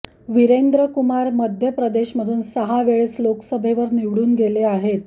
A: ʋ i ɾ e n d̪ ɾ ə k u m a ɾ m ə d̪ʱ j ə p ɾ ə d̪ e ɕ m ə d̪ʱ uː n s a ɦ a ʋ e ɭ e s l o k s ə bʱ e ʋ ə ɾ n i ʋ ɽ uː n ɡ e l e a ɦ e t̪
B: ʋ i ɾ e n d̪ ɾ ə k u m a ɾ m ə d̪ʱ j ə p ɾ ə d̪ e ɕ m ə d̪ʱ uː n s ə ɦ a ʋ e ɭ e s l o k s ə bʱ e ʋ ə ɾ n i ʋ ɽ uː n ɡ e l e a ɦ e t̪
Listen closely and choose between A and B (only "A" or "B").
B